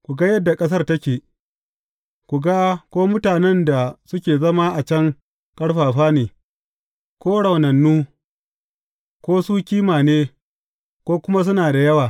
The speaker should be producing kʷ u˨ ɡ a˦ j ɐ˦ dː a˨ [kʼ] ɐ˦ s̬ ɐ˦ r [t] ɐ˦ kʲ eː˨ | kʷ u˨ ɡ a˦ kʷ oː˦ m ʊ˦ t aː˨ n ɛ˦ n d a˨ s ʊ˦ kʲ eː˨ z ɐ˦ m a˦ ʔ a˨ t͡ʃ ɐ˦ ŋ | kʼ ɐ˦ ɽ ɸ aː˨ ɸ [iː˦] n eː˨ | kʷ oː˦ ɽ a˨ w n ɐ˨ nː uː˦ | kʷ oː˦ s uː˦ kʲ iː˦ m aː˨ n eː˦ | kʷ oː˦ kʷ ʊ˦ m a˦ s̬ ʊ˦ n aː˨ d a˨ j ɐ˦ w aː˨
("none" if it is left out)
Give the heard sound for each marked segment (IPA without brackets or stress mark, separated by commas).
kʼ, t, aː˦